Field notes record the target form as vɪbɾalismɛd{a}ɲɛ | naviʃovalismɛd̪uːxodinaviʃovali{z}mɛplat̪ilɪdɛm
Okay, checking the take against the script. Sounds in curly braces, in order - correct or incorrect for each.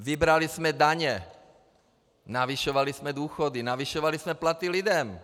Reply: correct, incorrect: s

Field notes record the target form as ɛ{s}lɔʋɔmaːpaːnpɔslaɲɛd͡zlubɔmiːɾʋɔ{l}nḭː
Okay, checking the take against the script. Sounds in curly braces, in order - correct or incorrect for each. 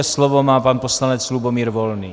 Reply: correct, correct

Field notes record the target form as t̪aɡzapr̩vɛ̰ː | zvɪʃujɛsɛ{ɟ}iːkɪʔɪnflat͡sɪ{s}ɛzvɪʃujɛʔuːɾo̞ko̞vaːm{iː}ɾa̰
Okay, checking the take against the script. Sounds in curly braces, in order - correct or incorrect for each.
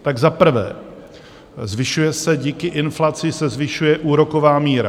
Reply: correct, correct, correct

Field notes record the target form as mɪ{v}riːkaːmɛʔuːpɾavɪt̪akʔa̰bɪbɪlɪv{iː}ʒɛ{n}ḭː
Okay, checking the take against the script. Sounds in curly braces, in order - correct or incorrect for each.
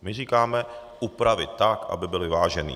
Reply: incorrect: none, incorrect: aː, correct

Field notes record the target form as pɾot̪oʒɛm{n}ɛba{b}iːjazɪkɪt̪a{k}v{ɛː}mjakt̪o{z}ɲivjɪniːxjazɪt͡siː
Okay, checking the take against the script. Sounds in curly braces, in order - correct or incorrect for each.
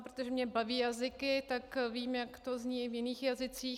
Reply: incorrect: ɲ, incorrect: v, correct, incorrect: iː, correct

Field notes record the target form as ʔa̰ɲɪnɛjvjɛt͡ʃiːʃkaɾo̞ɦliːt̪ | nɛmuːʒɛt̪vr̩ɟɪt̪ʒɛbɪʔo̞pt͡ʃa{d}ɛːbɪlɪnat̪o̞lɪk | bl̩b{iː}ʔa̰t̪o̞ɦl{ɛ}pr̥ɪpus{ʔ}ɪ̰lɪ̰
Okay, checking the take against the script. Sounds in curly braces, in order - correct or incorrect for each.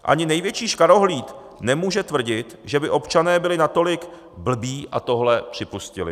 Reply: incorrect: n, correct, correct, incorrect: c

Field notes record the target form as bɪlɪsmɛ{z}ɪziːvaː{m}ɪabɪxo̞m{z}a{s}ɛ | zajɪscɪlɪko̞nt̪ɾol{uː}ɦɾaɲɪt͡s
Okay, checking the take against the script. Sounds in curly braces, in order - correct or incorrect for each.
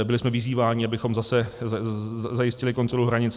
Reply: incorrect: v, incorrect: ɲ, correct, correct, incorrect: u

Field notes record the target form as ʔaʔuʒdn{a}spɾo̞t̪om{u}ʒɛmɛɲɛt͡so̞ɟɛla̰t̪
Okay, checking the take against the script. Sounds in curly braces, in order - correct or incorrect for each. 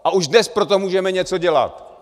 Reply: incorrect: ɛ, incorrect: uː

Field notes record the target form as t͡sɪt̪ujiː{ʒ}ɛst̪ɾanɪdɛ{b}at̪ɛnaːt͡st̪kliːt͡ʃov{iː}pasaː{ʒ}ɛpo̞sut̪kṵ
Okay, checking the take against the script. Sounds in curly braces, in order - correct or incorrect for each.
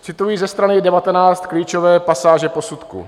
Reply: incorrect: z, incorrect: v, incorrect: ɛː, correct

